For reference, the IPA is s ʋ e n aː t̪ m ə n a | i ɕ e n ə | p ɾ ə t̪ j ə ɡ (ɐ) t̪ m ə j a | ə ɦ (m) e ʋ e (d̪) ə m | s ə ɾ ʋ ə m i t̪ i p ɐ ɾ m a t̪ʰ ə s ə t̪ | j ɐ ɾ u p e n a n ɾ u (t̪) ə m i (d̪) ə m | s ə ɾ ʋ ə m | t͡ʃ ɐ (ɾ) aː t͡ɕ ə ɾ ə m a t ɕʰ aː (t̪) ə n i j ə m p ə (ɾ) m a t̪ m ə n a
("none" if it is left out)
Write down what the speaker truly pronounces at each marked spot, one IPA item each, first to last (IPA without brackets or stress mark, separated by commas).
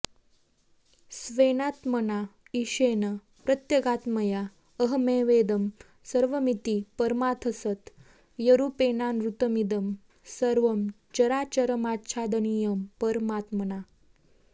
a, m, d̪, t̪, d̪, ɾ, d̪, ɾ